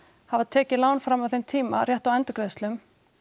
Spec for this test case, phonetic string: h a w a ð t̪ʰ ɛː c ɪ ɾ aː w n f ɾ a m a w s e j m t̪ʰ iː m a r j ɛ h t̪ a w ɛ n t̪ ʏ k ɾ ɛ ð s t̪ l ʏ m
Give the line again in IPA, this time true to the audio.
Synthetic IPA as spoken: h a v a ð t̪ʰ ɛː c ɪ l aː w n f ɾ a m a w θ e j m t̪ʰ iː m a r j ɛ h t̪ a w ɛ n t̪ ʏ k ɾ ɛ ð s t̪ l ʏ m